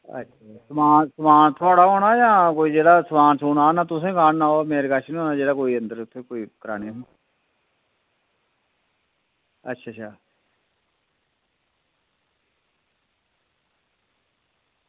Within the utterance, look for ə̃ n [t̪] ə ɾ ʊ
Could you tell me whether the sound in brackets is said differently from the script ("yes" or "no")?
yes